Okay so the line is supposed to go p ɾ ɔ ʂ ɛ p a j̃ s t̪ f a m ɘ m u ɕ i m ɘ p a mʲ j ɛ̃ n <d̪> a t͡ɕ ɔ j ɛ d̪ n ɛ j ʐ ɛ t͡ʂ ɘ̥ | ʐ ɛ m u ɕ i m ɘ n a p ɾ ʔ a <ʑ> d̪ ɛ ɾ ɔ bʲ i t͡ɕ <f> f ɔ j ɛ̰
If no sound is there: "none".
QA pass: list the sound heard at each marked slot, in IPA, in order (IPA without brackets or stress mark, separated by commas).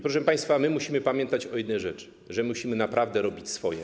t̪, v, s